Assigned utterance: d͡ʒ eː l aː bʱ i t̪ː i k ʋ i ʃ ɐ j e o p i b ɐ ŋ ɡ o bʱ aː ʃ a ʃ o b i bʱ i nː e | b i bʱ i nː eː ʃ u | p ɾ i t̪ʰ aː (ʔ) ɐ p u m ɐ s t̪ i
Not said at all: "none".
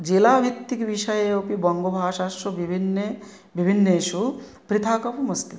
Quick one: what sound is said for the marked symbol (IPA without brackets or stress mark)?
k